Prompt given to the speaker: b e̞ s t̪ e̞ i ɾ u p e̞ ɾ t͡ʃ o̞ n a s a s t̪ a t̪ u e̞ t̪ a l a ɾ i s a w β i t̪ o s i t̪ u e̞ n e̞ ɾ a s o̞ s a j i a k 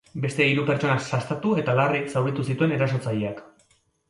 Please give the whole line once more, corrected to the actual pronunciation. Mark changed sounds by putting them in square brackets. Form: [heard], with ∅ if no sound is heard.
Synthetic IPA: b e̞ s t̪ e̞ i ɾ u p e̞ ɾ t͡ʃ o̞ n a s a s t̪ a t̪ u e̞ t̪ a l a [r] i s a w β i t̪ [u] s i t̪ u e̞ n e̞ ɾ a s o̞ [t͡s] a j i a k